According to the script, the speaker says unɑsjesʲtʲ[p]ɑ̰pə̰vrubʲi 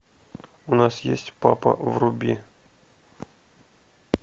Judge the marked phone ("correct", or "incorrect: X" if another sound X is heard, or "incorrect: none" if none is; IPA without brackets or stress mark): correct